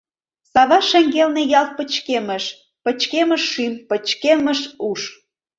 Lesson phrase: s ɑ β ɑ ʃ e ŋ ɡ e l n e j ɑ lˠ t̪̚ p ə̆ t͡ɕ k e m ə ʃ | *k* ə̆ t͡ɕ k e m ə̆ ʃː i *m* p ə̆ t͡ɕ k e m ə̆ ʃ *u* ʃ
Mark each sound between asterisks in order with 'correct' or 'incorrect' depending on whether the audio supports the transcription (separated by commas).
incorrect, correct, correct